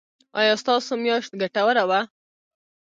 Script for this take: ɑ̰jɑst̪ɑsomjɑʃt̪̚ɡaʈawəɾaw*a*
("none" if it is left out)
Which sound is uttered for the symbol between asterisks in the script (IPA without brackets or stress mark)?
a